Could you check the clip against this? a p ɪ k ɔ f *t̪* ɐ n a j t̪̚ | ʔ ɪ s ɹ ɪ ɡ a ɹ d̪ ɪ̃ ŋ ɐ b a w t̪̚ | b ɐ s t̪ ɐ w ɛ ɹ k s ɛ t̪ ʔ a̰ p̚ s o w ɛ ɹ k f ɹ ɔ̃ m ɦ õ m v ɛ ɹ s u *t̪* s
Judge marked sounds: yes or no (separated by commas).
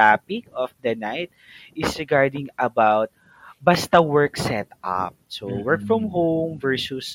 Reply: no, no